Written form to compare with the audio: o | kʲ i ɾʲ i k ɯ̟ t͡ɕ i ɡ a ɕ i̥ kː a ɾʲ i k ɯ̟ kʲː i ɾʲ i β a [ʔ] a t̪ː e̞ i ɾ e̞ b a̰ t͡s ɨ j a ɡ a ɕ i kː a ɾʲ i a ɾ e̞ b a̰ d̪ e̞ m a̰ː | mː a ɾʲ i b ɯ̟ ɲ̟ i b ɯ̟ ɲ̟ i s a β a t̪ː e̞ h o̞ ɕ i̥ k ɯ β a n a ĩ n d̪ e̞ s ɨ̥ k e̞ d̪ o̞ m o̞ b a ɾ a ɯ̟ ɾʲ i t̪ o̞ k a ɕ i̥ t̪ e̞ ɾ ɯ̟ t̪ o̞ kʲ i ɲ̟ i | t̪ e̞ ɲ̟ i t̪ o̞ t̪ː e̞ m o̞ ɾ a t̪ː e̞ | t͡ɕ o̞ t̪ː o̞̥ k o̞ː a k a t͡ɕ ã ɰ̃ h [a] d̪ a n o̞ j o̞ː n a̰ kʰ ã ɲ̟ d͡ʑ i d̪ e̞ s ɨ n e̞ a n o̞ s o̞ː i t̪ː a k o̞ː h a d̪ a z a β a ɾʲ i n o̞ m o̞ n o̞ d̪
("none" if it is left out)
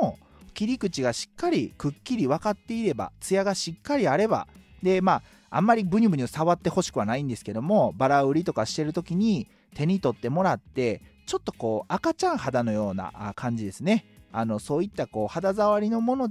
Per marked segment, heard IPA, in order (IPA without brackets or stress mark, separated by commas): k, a